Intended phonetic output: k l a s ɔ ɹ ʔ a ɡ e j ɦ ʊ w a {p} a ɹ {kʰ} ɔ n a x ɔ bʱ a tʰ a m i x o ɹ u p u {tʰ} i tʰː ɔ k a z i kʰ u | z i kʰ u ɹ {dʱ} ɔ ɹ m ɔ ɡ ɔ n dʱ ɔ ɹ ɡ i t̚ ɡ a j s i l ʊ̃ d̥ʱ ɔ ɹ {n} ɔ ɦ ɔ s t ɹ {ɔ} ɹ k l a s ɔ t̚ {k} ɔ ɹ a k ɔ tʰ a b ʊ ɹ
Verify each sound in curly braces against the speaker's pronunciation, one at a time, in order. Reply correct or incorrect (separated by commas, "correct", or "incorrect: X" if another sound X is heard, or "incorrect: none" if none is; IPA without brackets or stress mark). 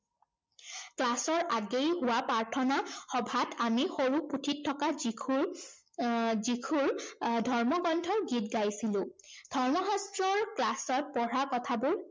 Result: correct, incorrect: tʰ, correct, correct, incorrect: m, correct, incorrect: p